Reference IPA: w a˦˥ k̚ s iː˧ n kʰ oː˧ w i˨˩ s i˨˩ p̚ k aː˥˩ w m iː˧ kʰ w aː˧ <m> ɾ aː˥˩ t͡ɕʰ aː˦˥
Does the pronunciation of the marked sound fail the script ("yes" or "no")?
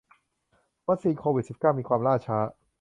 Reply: no